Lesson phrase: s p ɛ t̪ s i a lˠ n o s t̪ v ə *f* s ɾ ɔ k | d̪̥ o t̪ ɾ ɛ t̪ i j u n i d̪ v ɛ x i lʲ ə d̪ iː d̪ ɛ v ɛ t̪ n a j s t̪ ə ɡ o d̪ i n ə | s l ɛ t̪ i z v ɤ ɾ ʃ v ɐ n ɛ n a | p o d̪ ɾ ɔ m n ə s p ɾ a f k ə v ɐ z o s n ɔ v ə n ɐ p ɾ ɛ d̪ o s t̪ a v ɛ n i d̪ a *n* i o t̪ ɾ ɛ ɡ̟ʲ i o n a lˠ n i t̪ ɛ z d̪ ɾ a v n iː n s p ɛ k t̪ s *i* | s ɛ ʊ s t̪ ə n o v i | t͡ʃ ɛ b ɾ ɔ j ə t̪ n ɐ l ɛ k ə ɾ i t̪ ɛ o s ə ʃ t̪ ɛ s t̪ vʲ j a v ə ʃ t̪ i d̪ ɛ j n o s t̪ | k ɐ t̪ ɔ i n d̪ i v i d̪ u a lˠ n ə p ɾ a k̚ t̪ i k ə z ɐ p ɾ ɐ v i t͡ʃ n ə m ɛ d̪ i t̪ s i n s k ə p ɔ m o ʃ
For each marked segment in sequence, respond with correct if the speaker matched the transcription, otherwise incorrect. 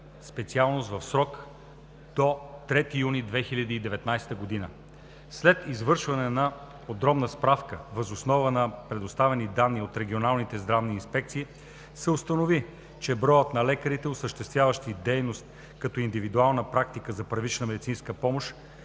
correct, incorrect: nː, incorrect: iː

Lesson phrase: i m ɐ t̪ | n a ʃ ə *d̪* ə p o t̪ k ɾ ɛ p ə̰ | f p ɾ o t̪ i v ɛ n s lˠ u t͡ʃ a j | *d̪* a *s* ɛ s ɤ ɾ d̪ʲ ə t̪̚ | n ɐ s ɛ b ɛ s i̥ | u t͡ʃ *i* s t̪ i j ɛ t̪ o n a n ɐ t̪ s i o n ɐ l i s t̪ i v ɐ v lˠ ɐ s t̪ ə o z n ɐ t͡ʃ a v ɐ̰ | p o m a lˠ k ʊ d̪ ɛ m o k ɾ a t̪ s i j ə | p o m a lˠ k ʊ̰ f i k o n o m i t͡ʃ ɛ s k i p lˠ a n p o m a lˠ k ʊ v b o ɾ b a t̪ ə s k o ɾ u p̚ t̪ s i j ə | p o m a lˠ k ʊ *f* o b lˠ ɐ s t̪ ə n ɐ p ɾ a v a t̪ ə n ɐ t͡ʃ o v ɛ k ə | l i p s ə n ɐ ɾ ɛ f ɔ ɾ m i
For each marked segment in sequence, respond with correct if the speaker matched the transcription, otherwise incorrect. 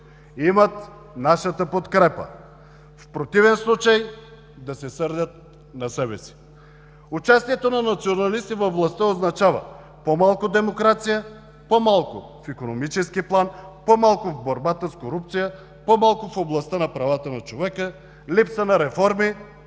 incorrect: t̪, correct, correct, incorrect: a, correct

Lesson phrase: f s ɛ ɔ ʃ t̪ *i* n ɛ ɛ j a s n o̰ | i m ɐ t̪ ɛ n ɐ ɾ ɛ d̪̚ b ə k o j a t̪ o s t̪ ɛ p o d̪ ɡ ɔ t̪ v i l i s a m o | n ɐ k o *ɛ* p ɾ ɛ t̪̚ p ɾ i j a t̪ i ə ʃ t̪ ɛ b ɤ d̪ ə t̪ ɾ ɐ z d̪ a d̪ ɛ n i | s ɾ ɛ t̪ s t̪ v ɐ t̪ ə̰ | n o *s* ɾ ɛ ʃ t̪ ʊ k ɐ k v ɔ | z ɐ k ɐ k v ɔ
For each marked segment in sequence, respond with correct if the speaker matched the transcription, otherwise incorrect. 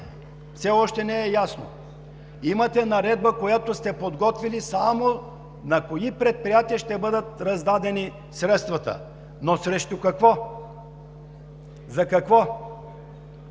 incorrect: ɛ, incorrect: i, correct

